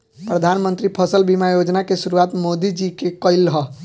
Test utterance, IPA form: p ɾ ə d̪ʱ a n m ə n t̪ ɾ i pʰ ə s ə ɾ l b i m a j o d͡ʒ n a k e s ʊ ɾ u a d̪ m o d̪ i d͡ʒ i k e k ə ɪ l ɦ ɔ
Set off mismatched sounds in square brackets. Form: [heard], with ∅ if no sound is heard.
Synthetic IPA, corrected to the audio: p ɾ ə d̪ʱ a n m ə n t̪ ɾ i pʰ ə s ə [∅] l b i m a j o d͡ʒ n a k e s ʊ ɾ u a [t̪] m o d̪ i d͡ʒ i k e k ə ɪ l ɦ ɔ

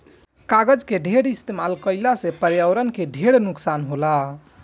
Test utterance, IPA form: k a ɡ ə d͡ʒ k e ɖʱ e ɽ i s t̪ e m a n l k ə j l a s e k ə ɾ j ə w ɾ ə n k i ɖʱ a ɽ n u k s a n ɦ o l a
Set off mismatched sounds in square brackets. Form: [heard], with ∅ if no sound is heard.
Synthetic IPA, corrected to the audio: k a ɡ ə d͡ʒ k e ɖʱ e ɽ i s t̪ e m a [∅] l k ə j l a s e [p] ə ɾ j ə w ɾ ə n k [e] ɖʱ [e] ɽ n u k s a n ɦ o l a

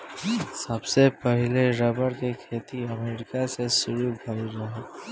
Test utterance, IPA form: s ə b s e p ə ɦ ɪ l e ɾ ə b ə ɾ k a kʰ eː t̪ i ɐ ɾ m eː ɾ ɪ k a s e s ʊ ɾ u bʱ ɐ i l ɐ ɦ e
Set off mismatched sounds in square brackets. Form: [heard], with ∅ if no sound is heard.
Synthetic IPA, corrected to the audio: s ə b s e p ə ɦ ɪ l e ɾ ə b ə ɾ k [e] kʰ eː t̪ i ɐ [∅] m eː ɾ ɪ k a s e s ʊ ɾ u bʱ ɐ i [ɾ] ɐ ɦ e

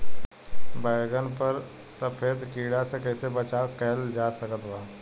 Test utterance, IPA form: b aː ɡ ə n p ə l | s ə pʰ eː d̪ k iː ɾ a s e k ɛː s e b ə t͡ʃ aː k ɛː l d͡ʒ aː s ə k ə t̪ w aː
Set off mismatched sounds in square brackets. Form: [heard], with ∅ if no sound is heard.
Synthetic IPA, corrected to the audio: b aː ɡ ə n p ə [ɾ] | s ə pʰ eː d̪ k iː [ɽ] a s e k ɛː s e b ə t͡ʃ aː k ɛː l d͡ʒ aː s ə k ə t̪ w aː

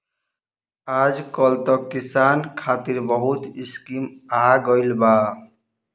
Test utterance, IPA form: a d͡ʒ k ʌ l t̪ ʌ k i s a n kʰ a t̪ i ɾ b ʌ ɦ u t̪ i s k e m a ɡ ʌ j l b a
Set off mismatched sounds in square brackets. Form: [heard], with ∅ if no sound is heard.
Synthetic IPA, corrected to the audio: a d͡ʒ k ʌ l t̪ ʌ k i s a n kʰ a t̪ i ɾ b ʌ ɦ u t̪ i s k [i] m a ɡ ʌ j l b a

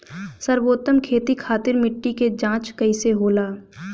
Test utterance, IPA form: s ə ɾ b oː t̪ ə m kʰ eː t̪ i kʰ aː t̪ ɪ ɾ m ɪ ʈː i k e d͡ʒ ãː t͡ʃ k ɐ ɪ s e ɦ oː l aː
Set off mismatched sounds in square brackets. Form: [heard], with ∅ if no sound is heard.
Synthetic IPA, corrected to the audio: s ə ɾ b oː t̪ ə m kʰ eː t̪ i kʰ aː t̪ ɪ ɾ m ɪ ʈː i k e d͡ʒ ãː t͡ʃ k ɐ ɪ s e ɦ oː l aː

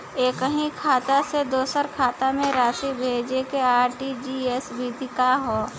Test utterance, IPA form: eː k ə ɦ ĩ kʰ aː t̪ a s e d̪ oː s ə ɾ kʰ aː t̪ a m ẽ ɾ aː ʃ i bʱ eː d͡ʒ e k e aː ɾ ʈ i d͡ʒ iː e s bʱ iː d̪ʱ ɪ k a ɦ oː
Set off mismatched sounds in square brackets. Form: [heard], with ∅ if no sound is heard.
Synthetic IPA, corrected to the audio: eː k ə ɦ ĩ kʰ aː t̪ a s e d̪ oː s ə ɾ kʰ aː t̪ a m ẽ ɾ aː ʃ i bʱ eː d͡ʒ e k e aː ɾ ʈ i d͡ʒ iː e s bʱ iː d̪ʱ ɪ k a ɦ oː

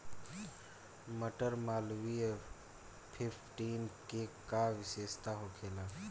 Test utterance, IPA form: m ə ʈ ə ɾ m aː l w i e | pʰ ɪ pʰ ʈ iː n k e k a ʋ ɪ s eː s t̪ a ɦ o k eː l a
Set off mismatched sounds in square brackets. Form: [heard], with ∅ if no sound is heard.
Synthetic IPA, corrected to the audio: m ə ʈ ə ɾ m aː l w i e | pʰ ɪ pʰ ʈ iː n k e k a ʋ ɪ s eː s t̪ a ɦ o [kʰ] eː l a

